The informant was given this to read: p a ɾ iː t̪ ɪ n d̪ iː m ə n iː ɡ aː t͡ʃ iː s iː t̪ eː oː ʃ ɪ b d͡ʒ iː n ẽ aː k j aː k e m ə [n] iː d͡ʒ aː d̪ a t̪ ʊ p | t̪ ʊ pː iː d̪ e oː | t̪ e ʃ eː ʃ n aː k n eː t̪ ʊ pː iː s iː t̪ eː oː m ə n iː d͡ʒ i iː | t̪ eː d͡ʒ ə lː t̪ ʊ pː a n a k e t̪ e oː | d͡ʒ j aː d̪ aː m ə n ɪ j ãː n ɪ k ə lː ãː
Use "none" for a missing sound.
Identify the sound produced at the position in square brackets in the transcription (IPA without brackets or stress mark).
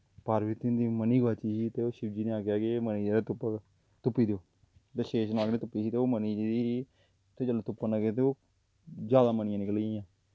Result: n